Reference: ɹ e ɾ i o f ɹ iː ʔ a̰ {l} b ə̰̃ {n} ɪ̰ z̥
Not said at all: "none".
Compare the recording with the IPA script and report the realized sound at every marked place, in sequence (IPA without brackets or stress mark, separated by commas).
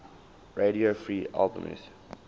l, m